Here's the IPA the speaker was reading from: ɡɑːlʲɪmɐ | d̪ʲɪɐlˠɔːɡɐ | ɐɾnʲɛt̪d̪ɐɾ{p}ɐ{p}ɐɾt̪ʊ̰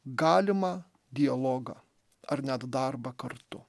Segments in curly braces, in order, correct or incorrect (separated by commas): incorrect, incorrect